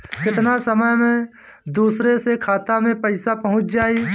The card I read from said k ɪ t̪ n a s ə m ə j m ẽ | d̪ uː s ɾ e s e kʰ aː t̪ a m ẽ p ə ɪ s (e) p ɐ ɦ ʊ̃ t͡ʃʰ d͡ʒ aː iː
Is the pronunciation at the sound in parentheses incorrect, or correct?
incorrect